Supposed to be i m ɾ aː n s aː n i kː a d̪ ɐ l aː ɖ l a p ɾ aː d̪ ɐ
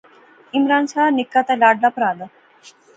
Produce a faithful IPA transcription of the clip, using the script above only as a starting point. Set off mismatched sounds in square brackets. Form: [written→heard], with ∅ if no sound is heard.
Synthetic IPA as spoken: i m ɾ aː n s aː n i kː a [d̪→t̪] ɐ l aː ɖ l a p ɾ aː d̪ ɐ